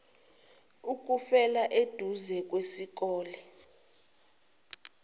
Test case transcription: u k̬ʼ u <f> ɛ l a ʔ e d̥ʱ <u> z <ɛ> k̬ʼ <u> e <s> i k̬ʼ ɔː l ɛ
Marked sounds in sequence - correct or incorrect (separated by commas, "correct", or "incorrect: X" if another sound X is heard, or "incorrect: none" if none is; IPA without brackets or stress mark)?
correct, correct, correct, incorrect: w, correct